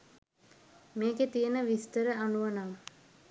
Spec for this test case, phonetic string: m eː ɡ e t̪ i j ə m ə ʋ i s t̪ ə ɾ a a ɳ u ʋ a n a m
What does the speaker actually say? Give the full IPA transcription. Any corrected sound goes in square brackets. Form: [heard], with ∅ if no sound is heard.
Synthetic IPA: m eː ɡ e t̪ i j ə [n] ə ʋ i s t̪ ə ɾ [ə] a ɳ u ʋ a n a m